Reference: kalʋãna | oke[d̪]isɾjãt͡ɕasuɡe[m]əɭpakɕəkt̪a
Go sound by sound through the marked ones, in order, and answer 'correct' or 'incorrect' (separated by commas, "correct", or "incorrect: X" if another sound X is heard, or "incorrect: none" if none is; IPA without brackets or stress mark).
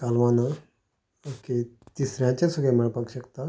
incorrect: t̪, correct